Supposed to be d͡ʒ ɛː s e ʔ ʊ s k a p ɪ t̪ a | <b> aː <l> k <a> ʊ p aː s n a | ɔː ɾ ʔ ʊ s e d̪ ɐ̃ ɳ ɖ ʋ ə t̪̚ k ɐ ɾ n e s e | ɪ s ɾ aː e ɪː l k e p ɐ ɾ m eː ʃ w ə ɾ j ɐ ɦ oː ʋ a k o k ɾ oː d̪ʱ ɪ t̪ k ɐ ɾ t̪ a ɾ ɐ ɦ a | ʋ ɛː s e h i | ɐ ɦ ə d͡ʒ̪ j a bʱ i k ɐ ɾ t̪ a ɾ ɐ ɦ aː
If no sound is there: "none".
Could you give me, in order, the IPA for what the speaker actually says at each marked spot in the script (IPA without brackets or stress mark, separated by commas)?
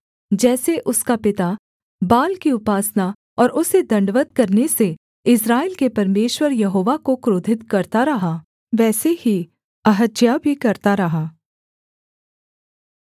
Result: b, l, i